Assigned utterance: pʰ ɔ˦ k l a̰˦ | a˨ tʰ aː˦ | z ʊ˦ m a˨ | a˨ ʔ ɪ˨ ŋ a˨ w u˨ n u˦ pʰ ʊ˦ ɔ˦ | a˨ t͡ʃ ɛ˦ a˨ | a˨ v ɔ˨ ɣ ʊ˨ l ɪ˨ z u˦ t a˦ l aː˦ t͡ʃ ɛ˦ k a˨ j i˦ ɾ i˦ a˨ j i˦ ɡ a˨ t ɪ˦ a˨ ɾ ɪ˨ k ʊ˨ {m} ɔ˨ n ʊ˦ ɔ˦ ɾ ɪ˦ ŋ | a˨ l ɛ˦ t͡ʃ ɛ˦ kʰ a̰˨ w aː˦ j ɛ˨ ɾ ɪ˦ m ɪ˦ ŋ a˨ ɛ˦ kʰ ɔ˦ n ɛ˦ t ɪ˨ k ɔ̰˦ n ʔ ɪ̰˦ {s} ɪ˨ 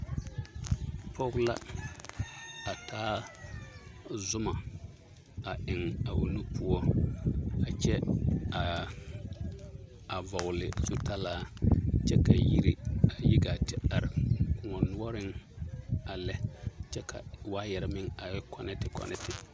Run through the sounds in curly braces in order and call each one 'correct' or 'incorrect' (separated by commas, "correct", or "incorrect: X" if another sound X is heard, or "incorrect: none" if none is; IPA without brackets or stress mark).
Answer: incorrect: ŋ, incorrect: t